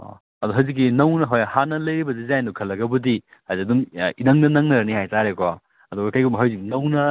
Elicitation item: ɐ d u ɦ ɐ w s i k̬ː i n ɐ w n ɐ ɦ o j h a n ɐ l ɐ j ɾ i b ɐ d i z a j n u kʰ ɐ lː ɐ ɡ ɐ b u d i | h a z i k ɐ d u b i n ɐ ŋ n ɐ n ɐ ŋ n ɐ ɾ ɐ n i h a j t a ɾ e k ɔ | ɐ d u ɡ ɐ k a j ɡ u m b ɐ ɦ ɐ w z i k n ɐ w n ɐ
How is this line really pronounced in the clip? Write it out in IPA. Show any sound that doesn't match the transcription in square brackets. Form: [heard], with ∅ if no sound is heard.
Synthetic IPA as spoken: ɐ d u ɦ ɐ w [z] i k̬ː i n ɐ w n ɐ ɦ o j h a n ɐ l ɐ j ɾ i b ɐ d i z a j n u kʰ ɐ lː ɐ ɡ ɐ b u d i | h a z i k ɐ d u [m] i n ɐ ŋ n ɐ n ɐ ŋ n ɐ ɾ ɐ n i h a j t a ɾ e k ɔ | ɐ d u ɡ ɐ k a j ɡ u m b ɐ ɦ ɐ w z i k n ɐ w n ɐ